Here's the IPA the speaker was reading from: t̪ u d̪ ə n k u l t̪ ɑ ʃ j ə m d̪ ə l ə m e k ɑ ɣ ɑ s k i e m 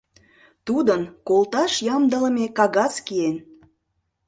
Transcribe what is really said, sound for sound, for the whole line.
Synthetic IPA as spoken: t̪ u d̪ ə n k o l t̪ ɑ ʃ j ɑ m d̪ ə l ə m e k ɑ ɣ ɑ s k i e n